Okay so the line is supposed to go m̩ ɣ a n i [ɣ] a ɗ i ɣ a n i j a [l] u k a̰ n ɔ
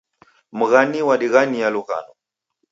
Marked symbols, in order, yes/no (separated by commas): no, yes